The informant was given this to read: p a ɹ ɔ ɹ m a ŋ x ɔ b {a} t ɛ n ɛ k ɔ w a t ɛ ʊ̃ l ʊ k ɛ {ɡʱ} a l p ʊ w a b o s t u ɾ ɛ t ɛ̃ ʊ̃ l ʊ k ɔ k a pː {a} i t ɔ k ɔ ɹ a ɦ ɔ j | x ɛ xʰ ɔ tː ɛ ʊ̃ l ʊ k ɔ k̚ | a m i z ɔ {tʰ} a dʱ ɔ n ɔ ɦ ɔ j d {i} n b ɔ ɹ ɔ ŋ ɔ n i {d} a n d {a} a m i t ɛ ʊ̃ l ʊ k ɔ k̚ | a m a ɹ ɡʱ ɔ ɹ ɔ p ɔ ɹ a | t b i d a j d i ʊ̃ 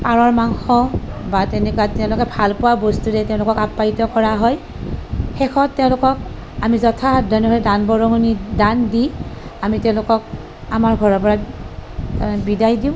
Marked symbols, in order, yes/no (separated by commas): yes, no, yes, yes, no, yes, no